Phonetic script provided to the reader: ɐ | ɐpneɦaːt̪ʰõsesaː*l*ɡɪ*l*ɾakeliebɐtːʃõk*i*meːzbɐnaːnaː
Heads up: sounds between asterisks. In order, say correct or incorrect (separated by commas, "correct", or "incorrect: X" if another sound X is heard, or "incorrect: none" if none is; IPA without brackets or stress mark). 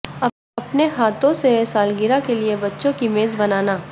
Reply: correct, incorrect: none, correct